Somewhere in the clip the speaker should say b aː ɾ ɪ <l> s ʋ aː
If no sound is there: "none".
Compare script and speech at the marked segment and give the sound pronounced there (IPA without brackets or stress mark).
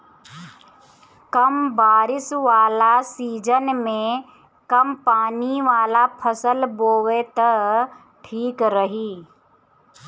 none